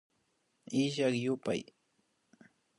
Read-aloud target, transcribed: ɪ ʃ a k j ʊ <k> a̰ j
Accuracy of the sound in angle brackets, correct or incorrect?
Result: incorrect